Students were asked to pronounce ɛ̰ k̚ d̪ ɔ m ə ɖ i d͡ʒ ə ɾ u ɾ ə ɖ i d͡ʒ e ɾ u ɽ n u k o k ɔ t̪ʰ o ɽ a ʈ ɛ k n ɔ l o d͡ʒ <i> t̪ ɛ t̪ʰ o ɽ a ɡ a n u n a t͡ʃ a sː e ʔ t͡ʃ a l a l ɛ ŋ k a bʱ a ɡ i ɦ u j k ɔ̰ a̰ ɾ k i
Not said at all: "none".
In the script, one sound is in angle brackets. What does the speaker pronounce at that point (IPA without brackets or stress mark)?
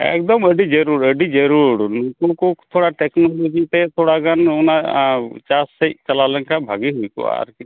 i